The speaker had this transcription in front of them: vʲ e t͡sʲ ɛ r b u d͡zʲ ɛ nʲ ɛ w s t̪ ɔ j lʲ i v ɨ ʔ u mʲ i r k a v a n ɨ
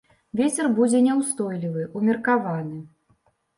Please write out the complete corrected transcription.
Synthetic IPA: vʲ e t͡sʲ ɛ r b u d͡zʲ ɛ nʲ ɛ w s t̪ ɔ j lʲ i v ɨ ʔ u mʲ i r k a v a n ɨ